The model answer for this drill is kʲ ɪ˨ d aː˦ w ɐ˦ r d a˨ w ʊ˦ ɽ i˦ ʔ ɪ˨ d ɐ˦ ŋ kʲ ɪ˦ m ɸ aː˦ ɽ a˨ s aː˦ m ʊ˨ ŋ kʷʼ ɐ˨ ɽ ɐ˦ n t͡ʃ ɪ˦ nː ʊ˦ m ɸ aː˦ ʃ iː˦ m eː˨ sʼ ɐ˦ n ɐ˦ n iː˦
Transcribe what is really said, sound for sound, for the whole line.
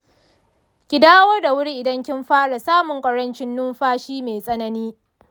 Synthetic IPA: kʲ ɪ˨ d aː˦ w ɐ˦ r d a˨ w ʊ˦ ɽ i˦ ʔ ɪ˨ d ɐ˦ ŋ kʲ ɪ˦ m ɸ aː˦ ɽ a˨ s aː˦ m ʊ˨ ŋ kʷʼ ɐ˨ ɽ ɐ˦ n t͡ʃ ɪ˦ nː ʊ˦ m ɸ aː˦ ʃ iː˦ m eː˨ sʼ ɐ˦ n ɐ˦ n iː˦

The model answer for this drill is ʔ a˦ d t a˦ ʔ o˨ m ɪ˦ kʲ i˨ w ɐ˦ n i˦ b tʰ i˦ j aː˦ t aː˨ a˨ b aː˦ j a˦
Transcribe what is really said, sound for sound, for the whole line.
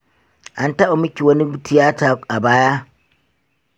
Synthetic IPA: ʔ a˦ n t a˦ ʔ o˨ m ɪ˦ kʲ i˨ w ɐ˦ n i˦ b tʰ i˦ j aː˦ t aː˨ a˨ b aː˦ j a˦

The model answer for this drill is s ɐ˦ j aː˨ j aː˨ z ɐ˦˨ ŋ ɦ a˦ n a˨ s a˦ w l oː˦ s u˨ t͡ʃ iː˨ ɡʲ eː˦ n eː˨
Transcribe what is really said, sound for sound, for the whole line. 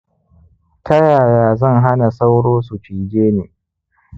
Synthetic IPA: t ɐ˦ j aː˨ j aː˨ z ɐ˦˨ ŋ ɦ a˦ n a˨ s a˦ w ɽ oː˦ s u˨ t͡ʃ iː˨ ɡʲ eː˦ n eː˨

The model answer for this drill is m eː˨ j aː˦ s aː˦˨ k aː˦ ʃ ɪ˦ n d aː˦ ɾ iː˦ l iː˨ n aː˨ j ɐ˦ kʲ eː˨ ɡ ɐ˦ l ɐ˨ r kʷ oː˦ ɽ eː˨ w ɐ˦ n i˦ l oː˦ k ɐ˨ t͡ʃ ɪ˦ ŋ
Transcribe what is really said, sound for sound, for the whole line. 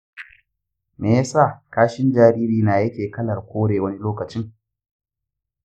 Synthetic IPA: m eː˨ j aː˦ s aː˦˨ k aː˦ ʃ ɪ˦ n d͡ʒ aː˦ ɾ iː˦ ɾ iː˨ n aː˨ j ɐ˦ kʲ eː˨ k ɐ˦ l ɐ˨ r kʷ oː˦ ɽ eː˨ w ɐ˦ n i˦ l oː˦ k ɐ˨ t͡ʃ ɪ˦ ŋ

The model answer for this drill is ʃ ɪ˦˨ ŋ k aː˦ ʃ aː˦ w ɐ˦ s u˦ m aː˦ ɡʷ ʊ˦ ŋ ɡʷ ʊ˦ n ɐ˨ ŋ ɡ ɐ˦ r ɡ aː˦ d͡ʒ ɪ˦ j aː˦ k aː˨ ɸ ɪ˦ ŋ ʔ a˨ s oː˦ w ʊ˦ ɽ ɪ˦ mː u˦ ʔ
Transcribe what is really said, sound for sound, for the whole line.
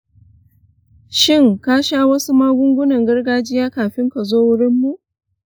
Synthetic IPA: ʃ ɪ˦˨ ŋ k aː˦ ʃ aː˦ w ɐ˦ s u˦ m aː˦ ɡʷ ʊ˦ ŋ ɡʷ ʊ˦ n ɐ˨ ŋ ɡ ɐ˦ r ɡ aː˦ d͡ʒ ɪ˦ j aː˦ k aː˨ ɸ ɪ˦ ŋ k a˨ z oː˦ w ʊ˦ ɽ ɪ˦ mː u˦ ʔ

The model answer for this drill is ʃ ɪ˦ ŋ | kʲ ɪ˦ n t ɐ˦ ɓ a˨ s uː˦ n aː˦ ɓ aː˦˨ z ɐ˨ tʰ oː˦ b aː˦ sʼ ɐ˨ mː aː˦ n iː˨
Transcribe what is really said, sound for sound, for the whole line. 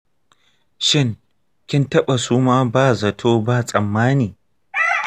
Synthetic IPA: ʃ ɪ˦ ŋ | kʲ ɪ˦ n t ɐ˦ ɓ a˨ s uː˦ m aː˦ b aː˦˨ z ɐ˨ tʰ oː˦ b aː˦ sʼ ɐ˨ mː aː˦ n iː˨

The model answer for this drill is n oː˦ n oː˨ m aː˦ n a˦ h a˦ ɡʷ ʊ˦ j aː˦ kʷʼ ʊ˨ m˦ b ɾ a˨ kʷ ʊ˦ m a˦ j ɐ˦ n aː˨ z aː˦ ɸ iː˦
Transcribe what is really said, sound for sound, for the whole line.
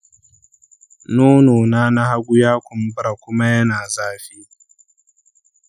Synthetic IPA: n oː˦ n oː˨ n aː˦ n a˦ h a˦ ɡʷ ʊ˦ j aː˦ kʷ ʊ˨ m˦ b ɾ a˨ kʷ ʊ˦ m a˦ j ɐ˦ n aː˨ z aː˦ ɸ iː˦

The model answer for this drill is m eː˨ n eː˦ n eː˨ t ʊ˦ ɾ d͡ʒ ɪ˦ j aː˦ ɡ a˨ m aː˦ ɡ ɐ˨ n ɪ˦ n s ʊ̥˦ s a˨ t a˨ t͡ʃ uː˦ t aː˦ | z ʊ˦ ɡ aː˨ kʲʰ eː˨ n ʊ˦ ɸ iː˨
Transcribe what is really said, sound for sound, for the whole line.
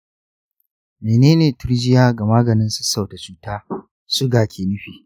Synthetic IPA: m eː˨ n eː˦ n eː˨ t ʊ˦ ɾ d͡ʒ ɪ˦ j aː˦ ɡ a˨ m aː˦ ɡ ɐ˨ n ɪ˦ n s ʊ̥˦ s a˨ t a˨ t͡ʃ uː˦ t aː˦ | s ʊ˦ ɡ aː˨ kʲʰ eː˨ n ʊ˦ ɸ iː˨

